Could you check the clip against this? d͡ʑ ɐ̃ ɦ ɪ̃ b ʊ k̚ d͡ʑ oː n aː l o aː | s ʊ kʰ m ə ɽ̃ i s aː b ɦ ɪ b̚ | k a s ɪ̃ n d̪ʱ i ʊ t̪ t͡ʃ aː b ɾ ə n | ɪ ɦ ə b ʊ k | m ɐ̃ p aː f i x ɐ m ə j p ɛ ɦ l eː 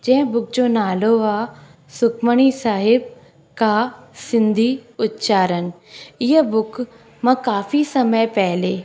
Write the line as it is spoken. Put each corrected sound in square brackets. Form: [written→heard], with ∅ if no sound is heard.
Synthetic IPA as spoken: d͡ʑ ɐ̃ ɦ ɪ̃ b ʊ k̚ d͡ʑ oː n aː l o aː | s ʊ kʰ m ə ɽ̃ i s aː [b→∅] ɦ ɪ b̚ | k a s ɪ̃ n d̪ʱ i ʊ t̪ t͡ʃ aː [b→∅] ɾ ə n | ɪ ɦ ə b ʊ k | m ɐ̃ [p→k] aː f i [x→s] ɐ m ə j p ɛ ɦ l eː